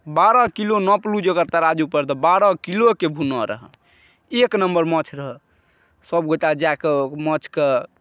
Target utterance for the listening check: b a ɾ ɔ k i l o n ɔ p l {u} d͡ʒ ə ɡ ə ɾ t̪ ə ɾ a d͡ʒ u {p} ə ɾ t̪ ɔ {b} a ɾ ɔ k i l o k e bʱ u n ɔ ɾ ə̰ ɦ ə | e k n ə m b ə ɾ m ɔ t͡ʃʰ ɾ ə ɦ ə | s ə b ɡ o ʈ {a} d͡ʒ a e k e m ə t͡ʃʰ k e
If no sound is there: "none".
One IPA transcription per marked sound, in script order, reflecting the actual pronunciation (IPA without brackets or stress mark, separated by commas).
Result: u, p, b, a